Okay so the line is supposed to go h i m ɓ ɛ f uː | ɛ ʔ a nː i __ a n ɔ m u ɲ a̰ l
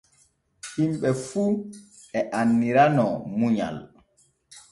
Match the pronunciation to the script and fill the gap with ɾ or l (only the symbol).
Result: ɾ